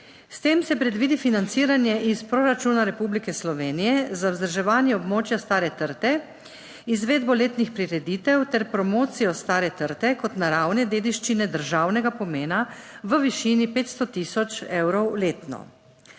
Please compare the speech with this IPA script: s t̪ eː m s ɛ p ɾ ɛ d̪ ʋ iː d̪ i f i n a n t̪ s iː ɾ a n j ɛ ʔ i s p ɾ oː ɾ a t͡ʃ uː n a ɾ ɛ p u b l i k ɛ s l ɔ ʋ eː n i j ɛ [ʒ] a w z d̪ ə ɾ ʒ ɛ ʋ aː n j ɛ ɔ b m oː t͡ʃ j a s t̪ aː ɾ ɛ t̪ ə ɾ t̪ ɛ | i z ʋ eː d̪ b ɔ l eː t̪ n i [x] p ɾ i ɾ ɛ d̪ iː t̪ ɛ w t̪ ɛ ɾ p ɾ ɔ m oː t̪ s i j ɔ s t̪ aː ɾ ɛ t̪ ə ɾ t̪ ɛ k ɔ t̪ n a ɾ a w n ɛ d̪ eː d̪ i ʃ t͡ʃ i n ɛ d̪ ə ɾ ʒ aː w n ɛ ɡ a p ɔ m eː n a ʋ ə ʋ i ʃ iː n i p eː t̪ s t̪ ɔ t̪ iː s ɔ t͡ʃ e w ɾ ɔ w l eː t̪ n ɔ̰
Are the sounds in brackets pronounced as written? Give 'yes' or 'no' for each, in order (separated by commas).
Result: no, yes